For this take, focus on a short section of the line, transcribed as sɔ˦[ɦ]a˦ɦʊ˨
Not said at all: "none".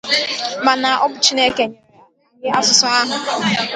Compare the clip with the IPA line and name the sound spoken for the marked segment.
none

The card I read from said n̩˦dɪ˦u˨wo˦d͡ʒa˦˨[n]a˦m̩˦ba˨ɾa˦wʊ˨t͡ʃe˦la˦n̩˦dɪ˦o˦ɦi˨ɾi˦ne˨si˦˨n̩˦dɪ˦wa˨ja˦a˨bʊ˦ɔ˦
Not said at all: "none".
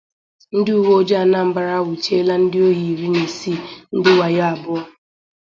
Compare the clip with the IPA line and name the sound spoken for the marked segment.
n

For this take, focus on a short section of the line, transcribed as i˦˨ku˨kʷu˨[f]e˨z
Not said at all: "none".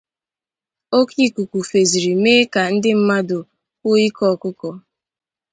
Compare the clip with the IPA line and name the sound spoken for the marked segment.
f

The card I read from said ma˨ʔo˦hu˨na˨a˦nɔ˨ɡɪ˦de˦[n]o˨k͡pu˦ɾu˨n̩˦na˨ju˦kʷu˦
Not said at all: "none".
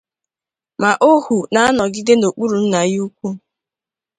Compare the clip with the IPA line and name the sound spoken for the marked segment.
n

